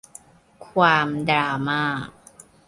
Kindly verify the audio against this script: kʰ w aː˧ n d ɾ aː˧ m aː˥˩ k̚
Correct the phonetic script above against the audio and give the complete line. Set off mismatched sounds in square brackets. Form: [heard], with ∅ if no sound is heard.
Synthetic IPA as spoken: kʰ w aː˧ [m] d ɾ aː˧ m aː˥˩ k̚